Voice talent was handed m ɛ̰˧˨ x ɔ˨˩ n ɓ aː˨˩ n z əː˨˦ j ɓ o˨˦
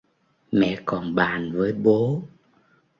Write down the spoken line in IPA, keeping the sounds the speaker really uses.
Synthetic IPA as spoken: m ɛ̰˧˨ k ɔ˨˩ n ɓ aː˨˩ n v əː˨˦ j ɓ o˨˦